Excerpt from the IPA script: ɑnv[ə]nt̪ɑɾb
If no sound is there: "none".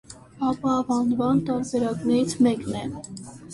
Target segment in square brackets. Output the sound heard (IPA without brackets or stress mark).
ɑ